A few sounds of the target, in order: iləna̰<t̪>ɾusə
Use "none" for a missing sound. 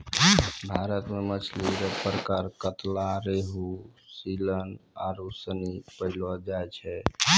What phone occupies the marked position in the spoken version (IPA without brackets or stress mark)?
none